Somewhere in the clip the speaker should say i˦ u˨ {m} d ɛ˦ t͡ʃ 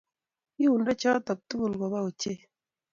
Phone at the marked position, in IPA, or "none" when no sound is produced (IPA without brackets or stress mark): n